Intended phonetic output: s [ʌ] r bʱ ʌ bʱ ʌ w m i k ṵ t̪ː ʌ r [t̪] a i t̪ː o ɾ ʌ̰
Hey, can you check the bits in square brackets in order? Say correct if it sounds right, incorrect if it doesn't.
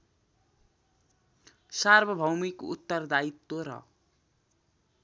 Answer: incorrect: a, incorrect: d̪

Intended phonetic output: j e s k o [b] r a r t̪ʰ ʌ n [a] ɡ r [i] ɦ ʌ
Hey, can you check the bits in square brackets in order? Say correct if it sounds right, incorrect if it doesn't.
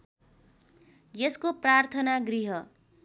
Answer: incorrect: p, correct, correct

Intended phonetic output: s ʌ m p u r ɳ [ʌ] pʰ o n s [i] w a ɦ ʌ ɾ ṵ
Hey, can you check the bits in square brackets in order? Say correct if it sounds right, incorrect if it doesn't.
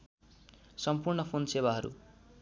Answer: correct, incorrect: e

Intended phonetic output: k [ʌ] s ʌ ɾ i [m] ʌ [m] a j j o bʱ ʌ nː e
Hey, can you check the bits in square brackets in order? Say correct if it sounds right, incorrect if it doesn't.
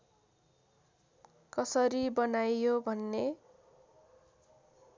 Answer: correct, incorrect: b, incorrect: n

